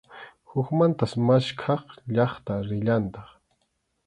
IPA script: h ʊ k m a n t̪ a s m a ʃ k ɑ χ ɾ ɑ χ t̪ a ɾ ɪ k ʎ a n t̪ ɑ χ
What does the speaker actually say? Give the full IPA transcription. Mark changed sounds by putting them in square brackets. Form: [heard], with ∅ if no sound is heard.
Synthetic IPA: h ʊ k m a n t̪ a s m a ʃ [kʰ] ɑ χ [ʎ] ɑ χ t̪ a ɾ ɪ [∅] ʎ a n t̪ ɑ χ